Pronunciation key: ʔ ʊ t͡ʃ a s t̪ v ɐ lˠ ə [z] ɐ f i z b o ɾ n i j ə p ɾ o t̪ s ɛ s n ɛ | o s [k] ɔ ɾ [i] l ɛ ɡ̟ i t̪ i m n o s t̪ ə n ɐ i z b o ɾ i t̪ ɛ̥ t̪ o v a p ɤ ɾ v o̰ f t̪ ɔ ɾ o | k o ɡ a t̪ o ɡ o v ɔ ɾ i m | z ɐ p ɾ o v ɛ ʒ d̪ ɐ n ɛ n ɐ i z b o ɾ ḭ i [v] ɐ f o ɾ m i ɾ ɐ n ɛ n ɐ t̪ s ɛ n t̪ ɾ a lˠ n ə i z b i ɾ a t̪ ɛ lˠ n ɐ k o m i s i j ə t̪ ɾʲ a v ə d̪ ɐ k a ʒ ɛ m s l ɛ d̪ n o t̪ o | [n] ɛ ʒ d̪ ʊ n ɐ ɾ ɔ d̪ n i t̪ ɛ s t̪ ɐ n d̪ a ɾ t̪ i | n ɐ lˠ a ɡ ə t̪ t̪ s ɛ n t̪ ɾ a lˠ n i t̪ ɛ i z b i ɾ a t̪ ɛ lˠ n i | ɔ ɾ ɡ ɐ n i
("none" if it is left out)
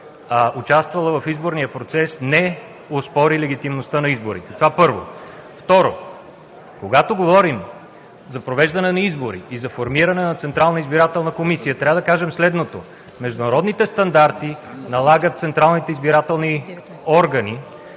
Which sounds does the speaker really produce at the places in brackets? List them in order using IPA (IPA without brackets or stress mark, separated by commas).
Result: v, p, i, z, m